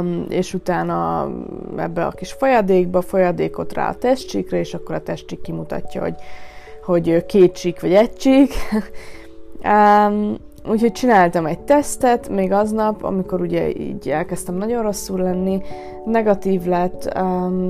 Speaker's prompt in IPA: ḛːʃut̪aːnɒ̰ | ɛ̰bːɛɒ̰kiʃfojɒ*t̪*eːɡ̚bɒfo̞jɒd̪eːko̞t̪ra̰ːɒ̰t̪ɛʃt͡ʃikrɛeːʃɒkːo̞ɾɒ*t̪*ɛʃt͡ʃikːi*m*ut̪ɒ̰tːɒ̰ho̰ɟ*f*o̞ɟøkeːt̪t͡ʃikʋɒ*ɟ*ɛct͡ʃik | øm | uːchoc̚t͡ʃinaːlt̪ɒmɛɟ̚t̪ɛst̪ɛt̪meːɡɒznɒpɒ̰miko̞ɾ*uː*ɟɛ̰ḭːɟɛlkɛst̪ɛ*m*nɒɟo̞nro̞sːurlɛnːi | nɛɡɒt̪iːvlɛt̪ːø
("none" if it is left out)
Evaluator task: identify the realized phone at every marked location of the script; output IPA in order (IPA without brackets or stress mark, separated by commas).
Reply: d̪, t̪, m, h, ɟ, u, m